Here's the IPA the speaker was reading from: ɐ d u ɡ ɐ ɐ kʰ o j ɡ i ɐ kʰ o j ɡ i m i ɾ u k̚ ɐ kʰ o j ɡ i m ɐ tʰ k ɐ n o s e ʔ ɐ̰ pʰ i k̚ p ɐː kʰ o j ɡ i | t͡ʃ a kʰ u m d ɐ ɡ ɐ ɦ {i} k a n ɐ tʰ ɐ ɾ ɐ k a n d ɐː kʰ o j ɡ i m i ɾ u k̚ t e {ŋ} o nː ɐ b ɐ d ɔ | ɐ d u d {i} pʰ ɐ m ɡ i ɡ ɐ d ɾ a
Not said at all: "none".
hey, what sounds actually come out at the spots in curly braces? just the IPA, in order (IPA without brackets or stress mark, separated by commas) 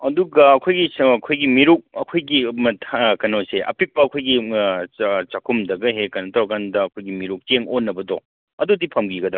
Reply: e, ŋ, i